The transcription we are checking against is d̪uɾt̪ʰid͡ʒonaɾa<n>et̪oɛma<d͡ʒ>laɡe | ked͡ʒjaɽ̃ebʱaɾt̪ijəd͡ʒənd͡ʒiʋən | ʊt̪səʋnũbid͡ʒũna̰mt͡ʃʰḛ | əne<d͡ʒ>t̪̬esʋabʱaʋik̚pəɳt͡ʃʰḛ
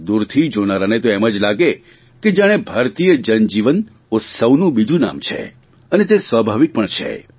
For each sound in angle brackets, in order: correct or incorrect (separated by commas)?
correct, correct, incorrect